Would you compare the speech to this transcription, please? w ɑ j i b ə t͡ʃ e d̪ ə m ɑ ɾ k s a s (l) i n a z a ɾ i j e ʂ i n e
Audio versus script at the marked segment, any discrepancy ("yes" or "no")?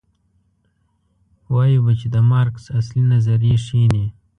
no